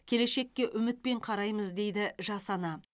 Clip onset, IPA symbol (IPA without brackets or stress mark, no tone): kʲʰ